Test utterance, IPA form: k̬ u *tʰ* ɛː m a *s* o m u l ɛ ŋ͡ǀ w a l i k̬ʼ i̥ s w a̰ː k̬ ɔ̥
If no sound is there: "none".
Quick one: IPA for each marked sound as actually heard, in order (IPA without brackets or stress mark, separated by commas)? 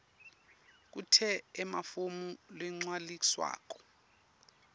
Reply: tʰ, f